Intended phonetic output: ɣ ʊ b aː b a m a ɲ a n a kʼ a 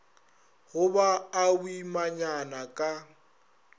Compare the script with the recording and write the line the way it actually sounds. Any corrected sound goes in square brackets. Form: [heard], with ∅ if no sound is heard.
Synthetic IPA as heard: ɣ ʊ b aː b [i] m a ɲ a n a kʼ a